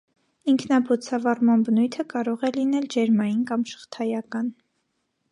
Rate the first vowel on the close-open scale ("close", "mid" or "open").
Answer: close